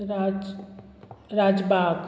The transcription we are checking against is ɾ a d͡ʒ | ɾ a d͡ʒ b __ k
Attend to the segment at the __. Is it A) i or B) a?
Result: B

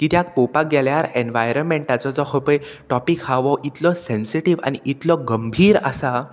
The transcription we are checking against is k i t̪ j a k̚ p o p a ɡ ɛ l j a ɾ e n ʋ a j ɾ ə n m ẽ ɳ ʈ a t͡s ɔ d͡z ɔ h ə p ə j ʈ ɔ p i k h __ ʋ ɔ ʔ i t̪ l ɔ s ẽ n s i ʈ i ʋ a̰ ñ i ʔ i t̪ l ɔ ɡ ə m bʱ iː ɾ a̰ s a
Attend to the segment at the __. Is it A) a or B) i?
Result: A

